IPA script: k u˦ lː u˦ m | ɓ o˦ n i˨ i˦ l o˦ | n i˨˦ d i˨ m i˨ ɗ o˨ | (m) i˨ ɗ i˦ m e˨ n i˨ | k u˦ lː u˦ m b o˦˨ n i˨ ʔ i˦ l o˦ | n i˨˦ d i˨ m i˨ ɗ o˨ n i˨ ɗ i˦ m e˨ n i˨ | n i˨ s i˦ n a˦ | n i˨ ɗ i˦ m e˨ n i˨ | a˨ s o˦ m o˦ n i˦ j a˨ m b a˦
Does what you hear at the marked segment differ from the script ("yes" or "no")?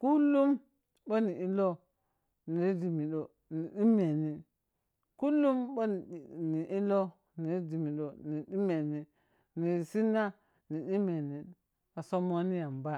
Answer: yes